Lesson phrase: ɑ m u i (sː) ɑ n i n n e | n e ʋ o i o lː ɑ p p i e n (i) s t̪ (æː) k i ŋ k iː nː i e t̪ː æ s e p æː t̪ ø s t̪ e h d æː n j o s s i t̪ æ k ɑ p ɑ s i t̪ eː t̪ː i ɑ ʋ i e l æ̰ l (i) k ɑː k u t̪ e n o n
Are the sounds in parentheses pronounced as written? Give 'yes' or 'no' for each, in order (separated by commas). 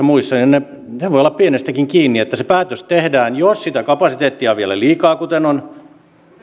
yes, no, no, no